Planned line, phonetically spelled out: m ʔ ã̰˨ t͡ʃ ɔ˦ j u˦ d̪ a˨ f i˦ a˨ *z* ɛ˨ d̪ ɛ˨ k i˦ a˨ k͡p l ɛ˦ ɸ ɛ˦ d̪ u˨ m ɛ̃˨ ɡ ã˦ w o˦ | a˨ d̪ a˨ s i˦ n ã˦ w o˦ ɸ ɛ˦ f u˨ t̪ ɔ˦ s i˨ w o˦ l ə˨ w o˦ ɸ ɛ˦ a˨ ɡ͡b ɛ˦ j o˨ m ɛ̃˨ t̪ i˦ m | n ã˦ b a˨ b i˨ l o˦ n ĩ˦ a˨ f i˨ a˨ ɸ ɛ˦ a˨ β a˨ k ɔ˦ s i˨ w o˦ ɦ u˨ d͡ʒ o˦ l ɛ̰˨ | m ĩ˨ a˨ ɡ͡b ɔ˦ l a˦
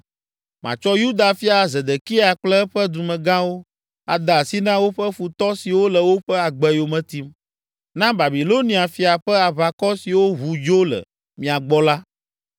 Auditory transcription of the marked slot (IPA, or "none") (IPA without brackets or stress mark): z